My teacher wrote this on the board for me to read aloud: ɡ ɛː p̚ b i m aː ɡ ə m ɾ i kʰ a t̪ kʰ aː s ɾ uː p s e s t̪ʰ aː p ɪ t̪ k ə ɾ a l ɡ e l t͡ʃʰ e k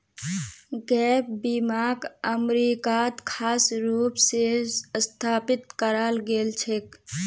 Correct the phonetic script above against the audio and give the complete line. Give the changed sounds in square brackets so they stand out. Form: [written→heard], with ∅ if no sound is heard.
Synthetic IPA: ɡ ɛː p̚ b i m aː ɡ ə m ɾ i [kʰ→k] a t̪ kʰ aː s ɾ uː p s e s t̪ʰ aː p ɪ t̪ k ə ɾ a l ɡ e l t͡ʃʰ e k